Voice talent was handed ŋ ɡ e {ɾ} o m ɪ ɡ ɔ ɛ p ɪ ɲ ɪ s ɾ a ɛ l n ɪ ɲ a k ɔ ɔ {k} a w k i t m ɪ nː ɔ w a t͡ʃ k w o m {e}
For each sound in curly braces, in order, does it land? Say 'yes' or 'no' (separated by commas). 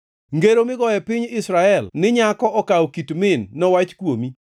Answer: yes, yes, no